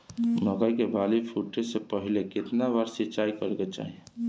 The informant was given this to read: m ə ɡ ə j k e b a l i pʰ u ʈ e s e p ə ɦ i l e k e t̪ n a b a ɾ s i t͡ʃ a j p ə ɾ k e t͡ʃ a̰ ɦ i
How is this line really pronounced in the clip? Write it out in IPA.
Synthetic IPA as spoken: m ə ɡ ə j k e b a l i pʰ u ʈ e s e p ə ɦ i l e k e t̪ n a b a ɾ s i t͡ʃ a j k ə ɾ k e t͡ʃ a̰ ɦ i